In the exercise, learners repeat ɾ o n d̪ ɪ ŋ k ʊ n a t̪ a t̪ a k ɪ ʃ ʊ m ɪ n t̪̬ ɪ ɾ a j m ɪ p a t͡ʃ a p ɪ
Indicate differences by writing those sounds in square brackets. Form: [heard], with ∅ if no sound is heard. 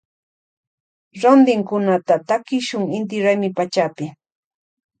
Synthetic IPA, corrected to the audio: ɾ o n d̪ ɪ ŋ k ʊ n a t̪ a t̪ a k ɪ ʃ ʊ [ŋ] ɪ n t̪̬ ɪ ɾ a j m ɪ p a t͡ʃ a p ɪ